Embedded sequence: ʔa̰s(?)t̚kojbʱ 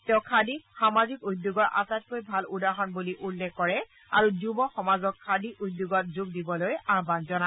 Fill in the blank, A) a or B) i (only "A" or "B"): A